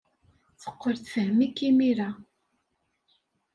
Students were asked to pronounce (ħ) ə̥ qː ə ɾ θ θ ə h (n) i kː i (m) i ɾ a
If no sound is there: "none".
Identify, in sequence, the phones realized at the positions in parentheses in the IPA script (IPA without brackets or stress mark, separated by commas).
θ, m, m